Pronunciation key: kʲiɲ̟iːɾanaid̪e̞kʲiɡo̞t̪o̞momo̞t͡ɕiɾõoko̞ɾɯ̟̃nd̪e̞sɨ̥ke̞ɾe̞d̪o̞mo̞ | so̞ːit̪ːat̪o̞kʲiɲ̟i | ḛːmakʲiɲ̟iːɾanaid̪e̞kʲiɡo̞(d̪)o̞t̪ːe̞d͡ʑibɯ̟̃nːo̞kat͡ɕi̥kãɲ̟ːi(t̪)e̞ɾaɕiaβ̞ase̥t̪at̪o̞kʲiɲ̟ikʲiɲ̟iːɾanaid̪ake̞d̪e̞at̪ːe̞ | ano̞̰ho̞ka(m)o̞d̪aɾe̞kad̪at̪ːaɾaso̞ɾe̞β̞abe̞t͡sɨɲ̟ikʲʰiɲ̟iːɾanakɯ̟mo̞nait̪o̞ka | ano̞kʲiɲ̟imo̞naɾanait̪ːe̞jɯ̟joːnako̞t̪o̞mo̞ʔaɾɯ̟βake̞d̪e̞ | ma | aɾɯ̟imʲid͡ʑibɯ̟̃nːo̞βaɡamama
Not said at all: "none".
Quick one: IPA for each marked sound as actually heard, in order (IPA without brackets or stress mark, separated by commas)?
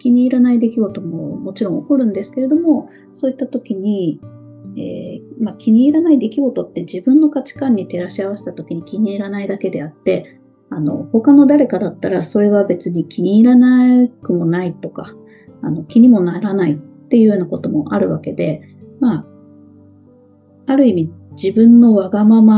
t̪, t̪, n